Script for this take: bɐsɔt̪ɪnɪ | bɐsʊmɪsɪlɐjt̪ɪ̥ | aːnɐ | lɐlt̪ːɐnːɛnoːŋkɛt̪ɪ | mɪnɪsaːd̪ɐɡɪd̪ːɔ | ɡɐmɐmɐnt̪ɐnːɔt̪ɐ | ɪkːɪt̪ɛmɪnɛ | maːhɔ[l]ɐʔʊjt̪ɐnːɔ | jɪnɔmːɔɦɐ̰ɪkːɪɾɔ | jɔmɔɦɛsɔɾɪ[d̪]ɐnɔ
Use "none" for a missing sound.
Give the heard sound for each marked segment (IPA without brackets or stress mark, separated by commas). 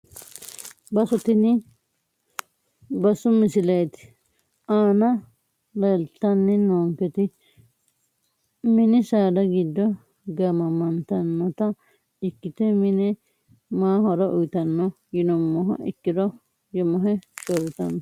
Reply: ɾ, t̪